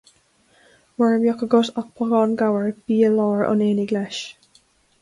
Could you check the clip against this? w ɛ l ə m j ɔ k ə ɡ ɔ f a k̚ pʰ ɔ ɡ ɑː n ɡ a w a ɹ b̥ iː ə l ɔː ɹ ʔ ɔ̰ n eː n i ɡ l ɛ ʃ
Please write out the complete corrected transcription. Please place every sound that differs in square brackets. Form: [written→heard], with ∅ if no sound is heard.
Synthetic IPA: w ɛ [l→ɹ] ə m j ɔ k ə ɡ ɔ [f→s] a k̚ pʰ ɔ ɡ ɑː n ɡ a w [a→ə] ɹ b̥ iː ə l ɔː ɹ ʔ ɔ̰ n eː n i ɡ l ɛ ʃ